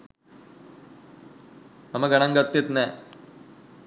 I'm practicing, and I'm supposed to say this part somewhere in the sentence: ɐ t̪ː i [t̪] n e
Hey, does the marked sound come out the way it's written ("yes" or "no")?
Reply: yes